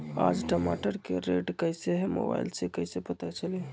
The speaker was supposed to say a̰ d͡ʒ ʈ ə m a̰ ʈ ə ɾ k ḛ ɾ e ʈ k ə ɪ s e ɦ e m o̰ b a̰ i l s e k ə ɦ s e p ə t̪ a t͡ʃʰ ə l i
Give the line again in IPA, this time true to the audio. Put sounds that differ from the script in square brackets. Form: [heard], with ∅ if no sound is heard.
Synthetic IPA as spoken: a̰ d͡ʒ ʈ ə m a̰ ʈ ə ɾ k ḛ ɾ e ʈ k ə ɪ s e ɦ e m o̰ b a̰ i l s e k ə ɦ s e p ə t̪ a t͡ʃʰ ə l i